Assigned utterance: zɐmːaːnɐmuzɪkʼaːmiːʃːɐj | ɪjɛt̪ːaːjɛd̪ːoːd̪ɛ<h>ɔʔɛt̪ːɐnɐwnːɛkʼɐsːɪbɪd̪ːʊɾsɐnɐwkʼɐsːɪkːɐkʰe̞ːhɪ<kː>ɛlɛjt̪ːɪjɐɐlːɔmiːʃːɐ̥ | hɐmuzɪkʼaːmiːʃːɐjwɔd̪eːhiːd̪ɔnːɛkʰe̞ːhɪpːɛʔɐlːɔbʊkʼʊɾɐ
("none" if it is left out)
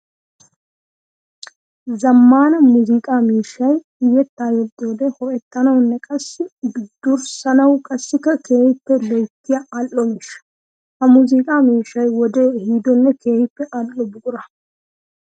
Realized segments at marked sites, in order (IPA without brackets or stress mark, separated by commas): h, pː